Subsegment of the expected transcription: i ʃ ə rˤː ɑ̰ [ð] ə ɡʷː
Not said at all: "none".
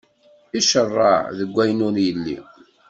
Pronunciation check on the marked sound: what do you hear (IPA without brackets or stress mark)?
ð